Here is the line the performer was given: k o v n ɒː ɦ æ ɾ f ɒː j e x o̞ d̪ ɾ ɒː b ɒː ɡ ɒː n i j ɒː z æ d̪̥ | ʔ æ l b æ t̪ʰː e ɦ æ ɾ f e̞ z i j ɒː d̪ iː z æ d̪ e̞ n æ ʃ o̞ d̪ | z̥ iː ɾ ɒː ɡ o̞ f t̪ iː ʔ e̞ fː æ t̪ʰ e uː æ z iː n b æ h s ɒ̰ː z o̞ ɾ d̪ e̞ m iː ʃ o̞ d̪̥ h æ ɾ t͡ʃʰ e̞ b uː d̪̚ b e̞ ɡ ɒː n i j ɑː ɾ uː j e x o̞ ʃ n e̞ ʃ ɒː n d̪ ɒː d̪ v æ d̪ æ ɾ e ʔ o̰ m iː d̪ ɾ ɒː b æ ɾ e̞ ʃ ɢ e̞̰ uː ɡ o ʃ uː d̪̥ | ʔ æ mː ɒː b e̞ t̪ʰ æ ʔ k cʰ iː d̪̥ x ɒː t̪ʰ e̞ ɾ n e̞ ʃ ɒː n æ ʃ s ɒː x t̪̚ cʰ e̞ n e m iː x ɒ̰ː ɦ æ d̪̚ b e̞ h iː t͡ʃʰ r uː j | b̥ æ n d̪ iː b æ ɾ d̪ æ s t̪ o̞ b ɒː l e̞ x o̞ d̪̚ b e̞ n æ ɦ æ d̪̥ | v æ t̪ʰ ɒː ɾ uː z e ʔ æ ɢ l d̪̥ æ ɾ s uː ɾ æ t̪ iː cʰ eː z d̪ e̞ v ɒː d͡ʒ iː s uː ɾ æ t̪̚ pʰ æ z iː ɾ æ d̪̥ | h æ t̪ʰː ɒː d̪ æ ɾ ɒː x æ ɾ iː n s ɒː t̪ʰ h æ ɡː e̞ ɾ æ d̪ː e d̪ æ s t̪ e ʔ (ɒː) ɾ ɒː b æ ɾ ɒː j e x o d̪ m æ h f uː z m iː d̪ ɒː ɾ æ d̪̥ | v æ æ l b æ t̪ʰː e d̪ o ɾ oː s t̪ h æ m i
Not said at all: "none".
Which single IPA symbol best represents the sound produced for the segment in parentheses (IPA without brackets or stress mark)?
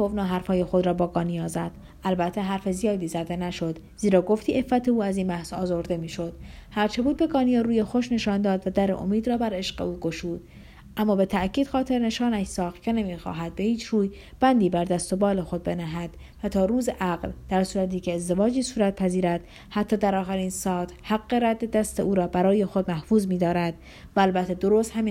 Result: uː